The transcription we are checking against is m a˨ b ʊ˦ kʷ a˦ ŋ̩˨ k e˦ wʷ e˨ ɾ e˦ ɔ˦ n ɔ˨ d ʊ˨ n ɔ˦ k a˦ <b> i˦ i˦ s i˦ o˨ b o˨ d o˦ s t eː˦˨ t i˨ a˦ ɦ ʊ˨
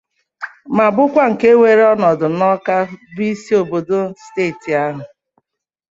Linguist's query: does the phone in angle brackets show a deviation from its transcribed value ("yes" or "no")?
no